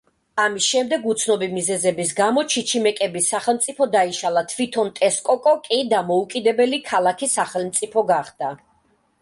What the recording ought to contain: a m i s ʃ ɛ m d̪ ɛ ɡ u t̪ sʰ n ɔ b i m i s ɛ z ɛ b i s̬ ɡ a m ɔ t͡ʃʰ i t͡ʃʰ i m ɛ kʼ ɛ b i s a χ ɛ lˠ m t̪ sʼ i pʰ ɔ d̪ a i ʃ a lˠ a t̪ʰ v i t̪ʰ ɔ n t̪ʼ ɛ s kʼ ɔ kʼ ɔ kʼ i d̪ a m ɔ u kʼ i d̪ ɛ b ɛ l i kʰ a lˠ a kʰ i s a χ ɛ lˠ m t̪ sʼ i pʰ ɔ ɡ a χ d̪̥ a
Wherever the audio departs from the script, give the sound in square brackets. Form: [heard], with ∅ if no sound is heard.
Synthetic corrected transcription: a m i s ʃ ɛ m d̪ ɛ ɡ u t̪ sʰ n ɔ b i m i [z] ɛ z ɛ b i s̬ ɡ a m ɔ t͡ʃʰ i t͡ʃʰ i m ɛ kʼ ɛ b i s a χ ɛ lˠ m t̪ sʼ i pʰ ɔ d̪ a i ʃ a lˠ a t̪ʰ v i t̪ʰ ɔ n t̪ʼ ɛ s kʼ ɔ kʼ ɔ kʼ i d̪ a m ɔ u kʼ i d̪ ɛ b ɛ l i kʰ a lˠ a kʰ i s a χ ɛ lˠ m t̪ sʼ i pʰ ɔ ɡ a χ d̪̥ a